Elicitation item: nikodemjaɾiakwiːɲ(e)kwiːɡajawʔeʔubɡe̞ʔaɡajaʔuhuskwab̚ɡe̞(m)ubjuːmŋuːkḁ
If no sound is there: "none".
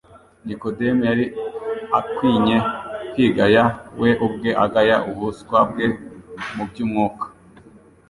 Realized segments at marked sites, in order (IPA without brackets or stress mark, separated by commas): e, m